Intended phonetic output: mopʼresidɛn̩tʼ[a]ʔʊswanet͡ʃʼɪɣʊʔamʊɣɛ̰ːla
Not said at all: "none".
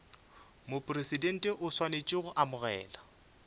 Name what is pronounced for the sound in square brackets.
ɛ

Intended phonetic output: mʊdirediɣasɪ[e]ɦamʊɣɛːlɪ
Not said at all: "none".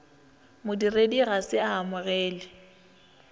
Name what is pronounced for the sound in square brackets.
a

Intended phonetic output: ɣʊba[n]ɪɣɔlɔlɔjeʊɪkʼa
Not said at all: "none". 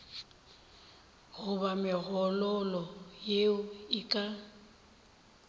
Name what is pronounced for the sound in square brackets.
m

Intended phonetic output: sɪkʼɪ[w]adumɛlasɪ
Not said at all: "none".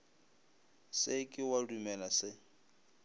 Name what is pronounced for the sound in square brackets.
w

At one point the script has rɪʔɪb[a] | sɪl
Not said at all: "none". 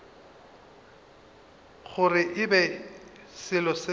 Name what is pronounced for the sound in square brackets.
ɛ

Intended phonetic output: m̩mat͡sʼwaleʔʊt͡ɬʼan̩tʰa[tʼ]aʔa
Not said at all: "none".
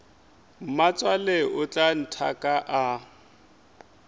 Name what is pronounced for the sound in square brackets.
kʼ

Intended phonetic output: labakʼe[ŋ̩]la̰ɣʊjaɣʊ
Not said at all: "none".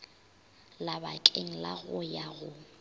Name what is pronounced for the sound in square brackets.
ŋ̩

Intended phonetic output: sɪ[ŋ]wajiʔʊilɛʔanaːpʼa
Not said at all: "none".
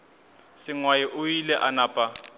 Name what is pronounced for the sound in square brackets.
ŋ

